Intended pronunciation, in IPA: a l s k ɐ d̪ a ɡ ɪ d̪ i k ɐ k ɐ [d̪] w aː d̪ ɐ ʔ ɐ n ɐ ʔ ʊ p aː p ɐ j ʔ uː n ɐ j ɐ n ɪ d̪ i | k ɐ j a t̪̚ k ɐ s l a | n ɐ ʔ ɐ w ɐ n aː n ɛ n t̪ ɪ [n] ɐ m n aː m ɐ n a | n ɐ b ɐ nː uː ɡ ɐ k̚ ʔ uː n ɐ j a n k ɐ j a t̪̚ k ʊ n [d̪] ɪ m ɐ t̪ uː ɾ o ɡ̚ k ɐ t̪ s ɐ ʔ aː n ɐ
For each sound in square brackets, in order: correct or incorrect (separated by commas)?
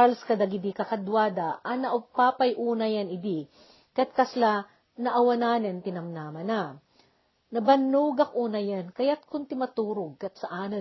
correct, correct, incorrect